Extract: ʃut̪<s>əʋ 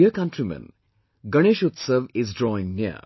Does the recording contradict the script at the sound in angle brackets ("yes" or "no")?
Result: no